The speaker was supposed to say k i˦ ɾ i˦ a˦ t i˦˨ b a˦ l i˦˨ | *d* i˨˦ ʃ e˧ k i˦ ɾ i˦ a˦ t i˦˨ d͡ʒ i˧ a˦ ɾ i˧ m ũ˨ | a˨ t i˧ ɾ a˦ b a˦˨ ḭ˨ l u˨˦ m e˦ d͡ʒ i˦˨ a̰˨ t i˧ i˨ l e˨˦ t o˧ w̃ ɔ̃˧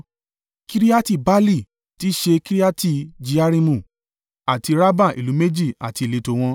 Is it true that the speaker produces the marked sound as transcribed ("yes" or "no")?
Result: no